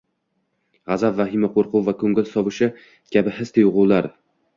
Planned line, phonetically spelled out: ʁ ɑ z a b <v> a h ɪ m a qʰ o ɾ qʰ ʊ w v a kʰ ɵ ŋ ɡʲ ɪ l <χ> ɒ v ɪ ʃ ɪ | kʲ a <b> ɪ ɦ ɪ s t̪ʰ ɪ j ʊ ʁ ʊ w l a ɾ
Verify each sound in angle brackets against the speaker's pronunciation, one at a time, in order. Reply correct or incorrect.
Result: correct, incorrect: s, correct

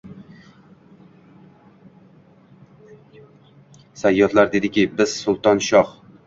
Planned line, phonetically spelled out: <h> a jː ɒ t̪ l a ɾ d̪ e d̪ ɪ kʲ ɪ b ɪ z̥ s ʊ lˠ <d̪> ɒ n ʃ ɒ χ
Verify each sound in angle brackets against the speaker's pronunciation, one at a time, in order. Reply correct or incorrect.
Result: incorrect: s, incorrect: t̪

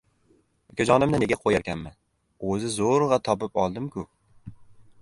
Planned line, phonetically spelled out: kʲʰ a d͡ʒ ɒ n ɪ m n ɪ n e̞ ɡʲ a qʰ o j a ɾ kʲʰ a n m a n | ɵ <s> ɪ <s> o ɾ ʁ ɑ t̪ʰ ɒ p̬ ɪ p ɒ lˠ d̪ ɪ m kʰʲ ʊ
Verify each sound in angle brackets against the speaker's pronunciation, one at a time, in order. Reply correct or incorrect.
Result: incorrect: z, incorrect: z

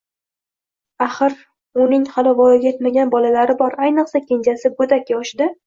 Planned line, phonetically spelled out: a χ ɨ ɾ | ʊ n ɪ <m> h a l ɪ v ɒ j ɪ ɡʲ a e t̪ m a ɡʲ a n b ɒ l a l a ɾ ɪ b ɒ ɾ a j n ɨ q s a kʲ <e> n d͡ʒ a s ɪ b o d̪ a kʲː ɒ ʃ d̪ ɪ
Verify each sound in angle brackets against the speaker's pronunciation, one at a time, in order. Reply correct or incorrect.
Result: incorrect: ŋ, correct

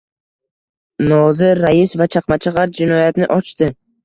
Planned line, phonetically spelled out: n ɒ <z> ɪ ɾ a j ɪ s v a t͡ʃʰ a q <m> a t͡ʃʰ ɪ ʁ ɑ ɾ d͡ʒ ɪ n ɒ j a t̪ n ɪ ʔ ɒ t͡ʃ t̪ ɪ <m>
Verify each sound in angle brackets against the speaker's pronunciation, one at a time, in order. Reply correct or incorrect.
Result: correct, correct, incorrect: none

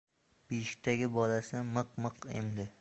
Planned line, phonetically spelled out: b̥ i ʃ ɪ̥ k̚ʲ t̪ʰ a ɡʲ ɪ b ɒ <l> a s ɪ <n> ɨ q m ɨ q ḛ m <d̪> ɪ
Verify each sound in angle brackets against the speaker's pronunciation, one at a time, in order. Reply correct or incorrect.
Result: correct, incorrect: m, correct

